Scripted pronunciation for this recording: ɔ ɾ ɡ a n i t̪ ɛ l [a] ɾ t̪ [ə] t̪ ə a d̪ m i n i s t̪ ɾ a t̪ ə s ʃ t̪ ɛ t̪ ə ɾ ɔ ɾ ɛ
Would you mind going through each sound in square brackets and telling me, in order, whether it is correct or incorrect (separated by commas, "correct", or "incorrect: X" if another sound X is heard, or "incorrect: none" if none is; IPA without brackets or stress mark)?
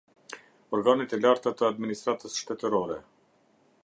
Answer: correct, incorrect: a